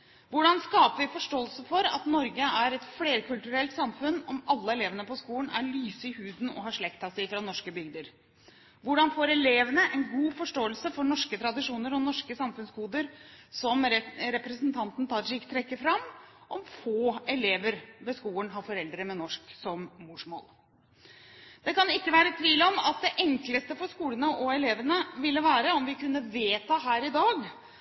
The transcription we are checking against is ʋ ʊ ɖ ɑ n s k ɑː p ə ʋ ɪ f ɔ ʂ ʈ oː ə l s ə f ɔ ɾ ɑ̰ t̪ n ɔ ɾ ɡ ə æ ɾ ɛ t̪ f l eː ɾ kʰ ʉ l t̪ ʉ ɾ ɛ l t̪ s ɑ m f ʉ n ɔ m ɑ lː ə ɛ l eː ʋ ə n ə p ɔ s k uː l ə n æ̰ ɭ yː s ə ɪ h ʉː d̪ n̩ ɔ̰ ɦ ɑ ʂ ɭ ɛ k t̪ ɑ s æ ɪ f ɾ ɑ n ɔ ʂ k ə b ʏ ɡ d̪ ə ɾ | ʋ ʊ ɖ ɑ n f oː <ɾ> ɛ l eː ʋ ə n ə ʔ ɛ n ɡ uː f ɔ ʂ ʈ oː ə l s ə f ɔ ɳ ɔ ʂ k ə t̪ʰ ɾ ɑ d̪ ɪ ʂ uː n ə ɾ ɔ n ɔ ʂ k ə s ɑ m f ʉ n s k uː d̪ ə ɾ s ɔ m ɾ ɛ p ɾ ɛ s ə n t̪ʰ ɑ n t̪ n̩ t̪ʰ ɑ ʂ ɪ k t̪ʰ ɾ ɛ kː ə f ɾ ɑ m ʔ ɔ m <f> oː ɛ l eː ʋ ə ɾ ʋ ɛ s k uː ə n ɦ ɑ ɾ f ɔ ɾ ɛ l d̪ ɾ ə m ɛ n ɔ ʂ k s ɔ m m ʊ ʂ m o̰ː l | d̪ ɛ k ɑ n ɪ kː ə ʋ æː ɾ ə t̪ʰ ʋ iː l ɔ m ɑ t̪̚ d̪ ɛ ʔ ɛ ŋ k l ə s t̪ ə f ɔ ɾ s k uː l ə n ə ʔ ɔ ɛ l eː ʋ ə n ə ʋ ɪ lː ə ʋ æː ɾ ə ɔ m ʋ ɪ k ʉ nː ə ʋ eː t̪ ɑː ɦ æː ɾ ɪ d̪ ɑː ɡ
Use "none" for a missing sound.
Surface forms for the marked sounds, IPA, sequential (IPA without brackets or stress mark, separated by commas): ɾ, f